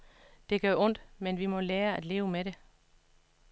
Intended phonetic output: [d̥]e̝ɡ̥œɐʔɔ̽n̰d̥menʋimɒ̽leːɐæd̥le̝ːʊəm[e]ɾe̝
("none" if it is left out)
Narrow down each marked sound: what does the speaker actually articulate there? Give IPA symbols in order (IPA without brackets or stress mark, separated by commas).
d̥, e